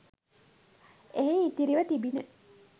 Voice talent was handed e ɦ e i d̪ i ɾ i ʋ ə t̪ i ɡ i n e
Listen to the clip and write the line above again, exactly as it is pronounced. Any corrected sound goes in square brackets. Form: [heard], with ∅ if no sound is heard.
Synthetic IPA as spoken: e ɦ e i [t̪] i ɾ i ʋ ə t̪ i [b] i n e